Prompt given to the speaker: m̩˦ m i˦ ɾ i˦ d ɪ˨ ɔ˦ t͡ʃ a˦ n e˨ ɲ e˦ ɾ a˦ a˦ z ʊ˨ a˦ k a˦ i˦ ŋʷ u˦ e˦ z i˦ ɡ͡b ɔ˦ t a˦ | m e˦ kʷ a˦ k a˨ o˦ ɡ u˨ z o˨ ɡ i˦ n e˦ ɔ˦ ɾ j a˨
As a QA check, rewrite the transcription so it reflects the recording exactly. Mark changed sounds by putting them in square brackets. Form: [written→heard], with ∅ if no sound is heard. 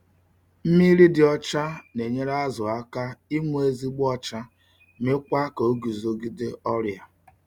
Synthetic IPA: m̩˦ m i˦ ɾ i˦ d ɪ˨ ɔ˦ t͡ʃ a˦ n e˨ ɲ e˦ ɾ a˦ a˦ z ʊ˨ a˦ k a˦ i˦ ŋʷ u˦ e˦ z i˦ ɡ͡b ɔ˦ [t→t͡ʃ] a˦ | m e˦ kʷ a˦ k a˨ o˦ ɡ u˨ z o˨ ɡ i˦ [n→d] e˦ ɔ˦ ɾ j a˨